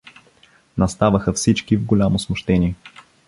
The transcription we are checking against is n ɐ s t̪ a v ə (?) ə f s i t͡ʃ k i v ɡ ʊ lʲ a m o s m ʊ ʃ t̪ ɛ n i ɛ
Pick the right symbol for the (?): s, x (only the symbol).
x